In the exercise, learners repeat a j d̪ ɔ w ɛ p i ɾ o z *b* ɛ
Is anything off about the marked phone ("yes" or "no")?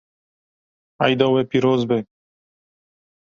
no